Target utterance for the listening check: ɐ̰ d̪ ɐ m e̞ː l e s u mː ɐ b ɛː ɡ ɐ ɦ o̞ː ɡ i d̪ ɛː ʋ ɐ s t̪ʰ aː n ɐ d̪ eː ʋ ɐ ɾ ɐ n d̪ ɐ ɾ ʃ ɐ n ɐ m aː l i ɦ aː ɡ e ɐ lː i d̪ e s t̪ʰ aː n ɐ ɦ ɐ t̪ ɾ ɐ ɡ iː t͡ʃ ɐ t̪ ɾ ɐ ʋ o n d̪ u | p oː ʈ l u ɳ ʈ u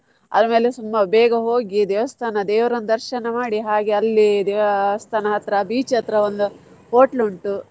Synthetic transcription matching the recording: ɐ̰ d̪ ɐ m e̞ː l e s u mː ɐ b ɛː ɡ ɐ ɦ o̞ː ɡ i d̪ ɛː ʋ ɐ s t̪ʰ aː n ɐ d̪ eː ʋ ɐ ɾ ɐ n d̪ ɐ ɾ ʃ ɐ n ɐ m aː ɽ i ɦ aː ɡ e ɐ lː i d̪ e s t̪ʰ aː n ɐ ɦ ɐ t̪ ɾ ɐ b iː t͡ʃ ɐ t̪ ɾ ɐ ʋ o n d̪ u | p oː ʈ l u ɳ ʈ u